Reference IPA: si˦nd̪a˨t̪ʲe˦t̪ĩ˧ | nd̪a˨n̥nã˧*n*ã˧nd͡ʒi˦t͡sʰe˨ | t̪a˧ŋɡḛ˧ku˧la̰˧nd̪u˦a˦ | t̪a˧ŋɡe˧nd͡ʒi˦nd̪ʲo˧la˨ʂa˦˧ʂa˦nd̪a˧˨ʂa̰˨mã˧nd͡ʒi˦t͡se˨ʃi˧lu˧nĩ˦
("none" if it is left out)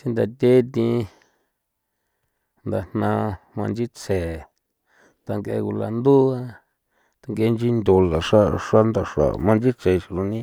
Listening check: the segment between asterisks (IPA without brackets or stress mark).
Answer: m